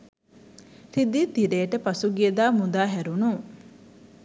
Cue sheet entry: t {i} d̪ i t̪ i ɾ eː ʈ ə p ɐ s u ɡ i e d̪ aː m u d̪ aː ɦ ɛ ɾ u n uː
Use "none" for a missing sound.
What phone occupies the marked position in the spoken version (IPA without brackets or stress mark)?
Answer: i